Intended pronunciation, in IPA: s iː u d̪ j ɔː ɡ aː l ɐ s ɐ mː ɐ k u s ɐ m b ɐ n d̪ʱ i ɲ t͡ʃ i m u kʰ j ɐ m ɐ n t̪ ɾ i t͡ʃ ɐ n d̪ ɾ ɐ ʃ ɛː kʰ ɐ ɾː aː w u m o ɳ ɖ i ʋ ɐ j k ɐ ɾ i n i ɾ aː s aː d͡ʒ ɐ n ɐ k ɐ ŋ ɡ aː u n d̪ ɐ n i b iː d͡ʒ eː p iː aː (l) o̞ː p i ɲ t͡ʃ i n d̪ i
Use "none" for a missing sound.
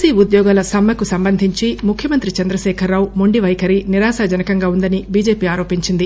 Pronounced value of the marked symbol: ɾ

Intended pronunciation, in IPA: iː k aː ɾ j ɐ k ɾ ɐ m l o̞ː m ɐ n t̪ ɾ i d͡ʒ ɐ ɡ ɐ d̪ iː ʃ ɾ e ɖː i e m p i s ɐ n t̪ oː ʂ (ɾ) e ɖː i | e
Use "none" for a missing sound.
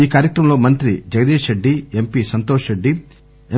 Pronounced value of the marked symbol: ɾ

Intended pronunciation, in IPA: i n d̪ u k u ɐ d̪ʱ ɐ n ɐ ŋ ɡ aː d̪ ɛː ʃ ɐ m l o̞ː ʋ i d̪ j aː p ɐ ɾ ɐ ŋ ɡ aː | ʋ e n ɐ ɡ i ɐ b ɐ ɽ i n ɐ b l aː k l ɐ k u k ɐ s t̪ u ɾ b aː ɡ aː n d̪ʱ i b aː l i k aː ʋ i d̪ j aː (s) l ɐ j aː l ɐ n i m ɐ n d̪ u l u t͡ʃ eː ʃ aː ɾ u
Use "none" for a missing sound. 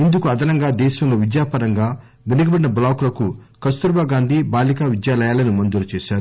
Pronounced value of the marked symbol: none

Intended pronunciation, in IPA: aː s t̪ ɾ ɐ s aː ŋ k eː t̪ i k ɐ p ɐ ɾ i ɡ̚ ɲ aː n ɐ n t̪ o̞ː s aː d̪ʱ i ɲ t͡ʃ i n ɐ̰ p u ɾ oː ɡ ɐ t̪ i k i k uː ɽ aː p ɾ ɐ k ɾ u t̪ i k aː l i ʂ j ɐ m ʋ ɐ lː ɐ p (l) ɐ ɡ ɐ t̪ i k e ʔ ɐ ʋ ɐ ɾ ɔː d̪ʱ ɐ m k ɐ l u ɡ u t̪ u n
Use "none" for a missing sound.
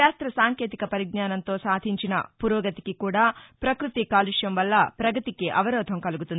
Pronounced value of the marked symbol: ɾ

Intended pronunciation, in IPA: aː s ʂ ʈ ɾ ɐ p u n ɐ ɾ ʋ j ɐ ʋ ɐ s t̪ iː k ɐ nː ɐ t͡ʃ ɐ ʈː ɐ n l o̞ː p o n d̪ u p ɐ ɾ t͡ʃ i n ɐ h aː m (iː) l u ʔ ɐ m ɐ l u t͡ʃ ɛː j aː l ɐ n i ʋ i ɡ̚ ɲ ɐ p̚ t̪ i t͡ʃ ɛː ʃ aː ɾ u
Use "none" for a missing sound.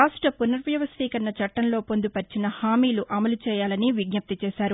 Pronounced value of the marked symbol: iː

